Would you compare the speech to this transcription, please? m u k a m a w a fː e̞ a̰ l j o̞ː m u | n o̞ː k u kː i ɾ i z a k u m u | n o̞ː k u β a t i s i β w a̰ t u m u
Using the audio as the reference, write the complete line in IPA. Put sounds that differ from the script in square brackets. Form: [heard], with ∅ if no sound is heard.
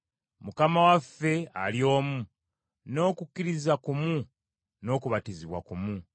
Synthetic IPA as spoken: m u k a m a w a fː e̞ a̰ l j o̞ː m u | n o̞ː k u kː i ɾ i z a k u m u | n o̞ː k u β a t i [z] i β w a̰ [k] u m u